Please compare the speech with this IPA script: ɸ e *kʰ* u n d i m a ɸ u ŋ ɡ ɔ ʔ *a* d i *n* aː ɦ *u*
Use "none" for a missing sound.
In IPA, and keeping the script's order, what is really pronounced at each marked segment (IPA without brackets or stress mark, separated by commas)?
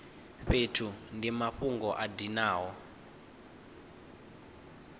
tʰ, a, n, ɔ